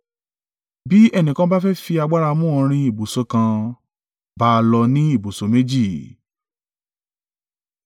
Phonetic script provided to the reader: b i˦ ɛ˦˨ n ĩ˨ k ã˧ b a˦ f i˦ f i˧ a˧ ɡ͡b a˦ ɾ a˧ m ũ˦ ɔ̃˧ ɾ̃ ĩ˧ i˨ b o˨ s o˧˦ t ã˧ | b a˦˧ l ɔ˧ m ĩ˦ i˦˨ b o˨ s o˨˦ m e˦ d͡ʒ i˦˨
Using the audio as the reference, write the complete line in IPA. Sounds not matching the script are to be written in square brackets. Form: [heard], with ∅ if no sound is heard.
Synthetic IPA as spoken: b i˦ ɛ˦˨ n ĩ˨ k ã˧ b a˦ f [ɛ˦] f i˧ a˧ ɡ͡b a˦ ɾ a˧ m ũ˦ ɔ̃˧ ɾ̃ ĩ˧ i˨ b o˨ s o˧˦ [k] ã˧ | b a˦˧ l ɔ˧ [n] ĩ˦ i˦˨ b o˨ s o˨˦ m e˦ d͡ʒ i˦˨